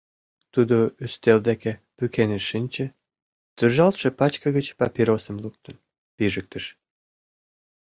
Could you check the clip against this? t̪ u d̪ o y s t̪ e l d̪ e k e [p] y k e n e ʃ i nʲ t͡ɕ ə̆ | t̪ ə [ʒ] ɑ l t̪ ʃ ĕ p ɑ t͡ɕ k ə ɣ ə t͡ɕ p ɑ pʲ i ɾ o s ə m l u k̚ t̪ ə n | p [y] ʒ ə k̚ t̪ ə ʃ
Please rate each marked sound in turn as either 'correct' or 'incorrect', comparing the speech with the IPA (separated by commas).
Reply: correct, correct, incorrect